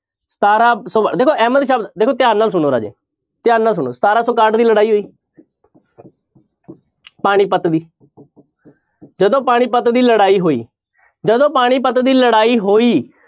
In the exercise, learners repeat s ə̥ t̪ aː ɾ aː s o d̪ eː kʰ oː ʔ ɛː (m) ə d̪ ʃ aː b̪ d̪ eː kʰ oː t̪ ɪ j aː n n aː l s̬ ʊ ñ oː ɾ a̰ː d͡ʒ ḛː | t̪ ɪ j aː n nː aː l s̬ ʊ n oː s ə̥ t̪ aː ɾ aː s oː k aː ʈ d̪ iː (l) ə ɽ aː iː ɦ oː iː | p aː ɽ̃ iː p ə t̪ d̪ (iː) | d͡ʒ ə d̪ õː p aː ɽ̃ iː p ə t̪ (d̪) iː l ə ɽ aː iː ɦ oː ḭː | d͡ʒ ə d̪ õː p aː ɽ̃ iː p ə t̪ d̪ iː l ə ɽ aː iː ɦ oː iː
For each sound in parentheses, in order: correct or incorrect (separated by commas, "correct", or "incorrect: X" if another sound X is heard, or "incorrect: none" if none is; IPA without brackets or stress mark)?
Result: correct, correct, correct, correct